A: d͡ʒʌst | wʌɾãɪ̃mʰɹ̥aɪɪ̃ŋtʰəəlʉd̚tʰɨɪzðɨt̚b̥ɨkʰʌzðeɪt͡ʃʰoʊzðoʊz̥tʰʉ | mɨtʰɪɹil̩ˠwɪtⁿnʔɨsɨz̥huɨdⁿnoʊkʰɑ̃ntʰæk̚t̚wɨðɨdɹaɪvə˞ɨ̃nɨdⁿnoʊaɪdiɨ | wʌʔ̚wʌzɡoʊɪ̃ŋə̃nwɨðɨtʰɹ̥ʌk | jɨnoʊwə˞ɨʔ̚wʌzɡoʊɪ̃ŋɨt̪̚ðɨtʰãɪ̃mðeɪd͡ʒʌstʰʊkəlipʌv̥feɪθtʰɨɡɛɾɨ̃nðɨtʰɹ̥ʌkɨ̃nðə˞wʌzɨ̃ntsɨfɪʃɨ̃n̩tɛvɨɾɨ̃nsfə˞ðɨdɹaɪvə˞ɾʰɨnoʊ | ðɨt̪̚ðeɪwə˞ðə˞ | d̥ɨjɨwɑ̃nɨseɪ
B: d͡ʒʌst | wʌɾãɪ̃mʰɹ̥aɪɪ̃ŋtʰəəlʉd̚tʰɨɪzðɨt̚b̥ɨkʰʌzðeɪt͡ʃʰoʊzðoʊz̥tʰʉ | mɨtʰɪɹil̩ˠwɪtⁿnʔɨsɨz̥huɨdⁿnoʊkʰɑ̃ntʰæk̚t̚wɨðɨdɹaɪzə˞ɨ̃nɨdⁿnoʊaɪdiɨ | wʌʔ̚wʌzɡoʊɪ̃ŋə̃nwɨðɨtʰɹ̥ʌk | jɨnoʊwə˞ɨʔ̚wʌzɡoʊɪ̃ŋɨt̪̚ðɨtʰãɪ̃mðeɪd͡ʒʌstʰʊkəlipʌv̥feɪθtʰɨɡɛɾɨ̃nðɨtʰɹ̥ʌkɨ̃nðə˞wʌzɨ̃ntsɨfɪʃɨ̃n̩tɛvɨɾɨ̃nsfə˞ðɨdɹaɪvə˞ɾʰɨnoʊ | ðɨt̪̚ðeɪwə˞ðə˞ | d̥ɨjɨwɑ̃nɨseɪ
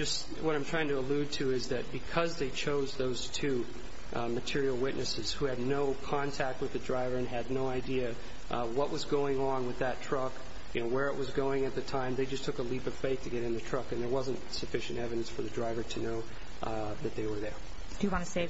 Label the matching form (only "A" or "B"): A